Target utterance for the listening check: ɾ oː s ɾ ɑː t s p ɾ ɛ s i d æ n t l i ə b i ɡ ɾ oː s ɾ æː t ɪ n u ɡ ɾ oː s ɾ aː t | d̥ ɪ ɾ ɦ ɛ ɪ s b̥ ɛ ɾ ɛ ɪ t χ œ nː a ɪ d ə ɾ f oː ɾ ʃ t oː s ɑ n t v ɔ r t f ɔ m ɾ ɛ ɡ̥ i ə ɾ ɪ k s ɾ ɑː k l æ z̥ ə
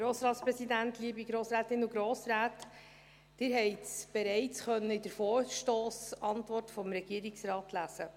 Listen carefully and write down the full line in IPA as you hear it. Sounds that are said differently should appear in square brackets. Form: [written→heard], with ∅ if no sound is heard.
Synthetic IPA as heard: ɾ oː s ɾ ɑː t s p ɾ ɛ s i d æ n t l i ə b i ɡ ɾ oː s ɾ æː t ɪ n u ɡ ɾ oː s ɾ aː t | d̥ ɪ ɾ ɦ ɛ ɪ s b̥ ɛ ɾ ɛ ɪ [t→t͡s] χ œ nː [a→ə] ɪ d ə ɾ f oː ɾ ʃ t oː s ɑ n t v ɔ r t f ɔ m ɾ ɛ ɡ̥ i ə ɾ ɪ k s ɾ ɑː [k→t] l æ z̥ ə